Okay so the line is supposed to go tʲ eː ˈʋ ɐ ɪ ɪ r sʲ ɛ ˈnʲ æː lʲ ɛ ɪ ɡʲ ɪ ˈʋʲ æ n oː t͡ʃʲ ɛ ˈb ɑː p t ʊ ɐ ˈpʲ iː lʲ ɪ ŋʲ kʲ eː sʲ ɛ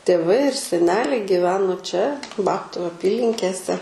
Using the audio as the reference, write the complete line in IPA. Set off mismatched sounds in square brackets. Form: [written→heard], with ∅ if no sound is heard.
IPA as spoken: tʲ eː ˈʋ ɐ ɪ ɪ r sʲ ɛ ˈnʲ æː lʲ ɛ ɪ ɡʲ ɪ ˈʋʲ [æ→æː] n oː t͡ʃʲ ɛ ˈb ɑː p t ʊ ɐ ˈpʲ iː lʲ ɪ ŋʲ kʲ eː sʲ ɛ

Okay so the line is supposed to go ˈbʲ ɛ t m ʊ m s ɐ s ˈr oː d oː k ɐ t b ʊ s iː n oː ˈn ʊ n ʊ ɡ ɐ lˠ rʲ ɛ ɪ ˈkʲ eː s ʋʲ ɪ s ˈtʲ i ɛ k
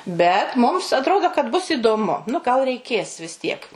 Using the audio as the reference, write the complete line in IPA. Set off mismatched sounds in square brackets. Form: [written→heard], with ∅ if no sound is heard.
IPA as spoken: ˈbʲ ɛ t m ʊ m s ɐ [s→t] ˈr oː d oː k ɐ t b ʊ s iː [n→d] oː [ˈn→ˈm] ʊ n ʊ ɡ ɐ lˠ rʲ ɛ ɪ ˈkʲ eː s ʋʲ ɪ s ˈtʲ i ɛ k

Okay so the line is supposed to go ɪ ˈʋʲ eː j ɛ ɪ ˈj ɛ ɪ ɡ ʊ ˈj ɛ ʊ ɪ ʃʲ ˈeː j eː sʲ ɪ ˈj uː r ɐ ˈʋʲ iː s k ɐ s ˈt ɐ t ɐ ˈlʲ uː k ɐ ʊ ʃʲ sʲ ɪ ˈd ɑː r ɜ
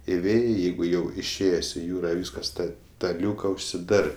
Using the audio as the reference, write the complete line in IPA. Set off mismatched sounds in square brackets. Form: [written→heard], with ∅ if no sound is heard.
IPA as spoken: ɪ ˈʋʲ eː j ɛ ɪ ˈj ɛ ɪ ɡ ʊ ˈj ɛ ʊ ɪ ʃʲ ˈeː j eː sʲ ɪ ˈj uː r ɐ ˈʋʲ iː s k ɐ s ˈt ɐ t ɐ ˈlʲ uː k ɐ ʊ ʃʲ sʲ ɪ ˈd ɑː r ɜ

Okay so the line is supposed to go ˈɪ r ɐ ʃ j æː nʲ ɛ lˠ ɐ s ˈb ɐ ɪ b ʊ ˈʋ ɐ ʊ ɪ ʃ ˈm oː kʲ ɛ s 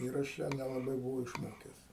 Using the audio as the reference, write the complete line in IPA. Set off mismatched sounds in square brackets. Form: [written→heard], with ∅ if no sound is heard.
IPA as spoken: ˈɪ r ɐ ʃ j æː nʲ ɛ lˠ ɐ [s→∅] ˈb ɐ ɪ b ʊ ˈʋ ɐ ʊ ɪ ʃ ˈm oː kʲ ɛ s

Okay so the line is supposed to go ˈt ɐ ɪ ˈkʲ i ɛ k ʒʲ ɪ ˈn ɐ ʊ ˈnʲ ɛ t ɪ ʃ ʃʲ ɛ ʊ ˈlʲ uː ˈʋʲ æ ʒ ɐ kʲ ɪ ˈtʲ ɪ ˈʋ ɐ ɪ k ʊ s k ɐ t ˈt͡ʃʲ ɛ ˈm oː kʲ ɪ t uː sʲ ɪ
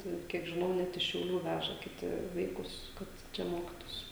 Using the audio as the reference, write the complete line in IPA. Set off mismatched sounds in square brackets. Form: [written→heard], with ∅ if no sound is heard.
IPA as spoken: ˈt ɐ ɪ ˈkʲ i ɛ k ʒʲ ɪ ˈn ɐ ʊ ˈnʲ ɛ t ɪ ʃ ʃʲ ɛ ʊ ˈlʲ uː ˈʋʲ æ ʒ ɐ kʲ ɪ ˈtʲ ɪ ˈʋ ɐ ɪ k ʊ s k ɐ t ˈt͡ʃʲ ɛ ˈm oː kʲ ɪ t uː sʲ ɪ

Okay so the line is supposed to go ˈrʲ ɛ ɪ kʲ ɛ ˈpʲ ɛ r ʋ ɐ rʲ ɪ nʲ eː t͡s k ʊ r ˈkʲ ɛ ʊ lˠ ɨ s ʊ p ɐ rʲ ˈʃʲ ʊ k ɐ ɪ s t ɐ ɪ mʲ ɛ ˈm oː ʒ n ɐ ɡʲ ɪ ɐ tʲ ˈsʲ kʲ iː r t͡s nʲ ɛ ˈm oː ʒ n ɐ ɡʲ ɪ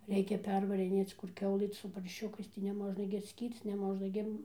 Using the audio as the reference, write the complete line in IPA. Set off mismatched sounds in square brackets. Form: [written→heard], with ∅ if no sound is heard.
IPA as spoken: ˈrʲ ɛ ɪ kʲ ɛ ˈpʲ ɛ r ʋ ɐ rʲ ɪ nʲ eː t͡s k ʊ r ˈkʲ ɛ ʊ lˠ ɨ s ʊ p ɐ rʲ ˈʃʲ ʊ k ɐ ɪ s t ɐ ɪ [mʲ→nʲ] ɛ ˈm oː ʒ n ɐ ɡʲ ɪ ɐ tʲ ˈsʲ kʲ iː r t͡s nʲ ɛ ˈm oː ʒ n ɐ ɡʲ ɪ

